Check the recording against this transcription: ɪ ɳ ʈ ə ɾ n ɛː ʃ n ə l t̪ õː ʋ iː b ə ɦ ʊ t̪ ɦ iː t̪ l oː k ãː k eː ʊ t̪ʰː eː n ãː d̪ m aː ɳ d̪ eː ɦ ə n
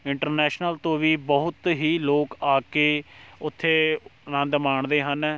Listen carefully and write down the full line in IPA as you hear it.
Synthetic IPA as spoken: ɪ ɳ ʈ ə ɾ n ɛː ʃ n ə l t̪ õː ʋ iː b ə ɦ ʊ t̪ ɦ iː l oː k aː k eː ʊ t̪ʰː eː n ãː d̪ m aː ɳ d̪ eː ɦ ə n